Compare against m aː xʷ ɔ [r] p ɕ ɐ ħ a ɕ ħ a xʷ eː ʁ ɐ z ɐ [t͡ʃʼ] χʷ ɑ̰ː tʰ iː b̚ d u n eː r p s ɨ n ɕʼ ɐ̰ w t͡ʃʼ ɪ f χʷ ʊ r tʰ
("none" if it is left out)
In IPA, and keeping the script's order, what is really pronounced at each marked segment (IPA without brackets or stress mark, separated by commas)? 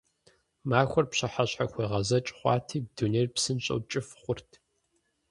r, t͡ʃʼ